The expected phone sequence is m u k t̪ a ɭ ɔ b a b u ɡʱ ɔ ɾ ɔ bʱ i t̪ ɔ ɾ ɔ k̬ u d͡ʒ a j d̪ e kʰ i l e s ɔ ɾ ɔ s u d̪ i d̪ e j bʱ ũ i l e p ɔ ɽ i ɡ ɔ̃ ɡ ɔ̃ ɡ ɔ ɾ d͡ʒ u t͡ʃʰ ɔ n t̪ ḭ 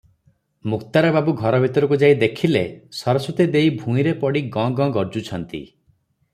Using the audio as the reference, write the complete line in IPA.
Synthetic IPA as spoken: m u k t̪ a ɾ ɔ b a b u ɡʱ ɔ ɾ ɔ bʱ i t̪ ɔ ɾ ɔ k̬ u d͡ʒ a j d̪ e kʰ i l e s ɔ ɾ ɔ s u t̪ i d̪ e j bʱ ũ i ɾ e p ɔ ɽ i ɡ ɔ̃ ɡ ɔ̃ ɡ ɔ ɾ d͡ʒ u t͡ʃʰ ɔ n t̪ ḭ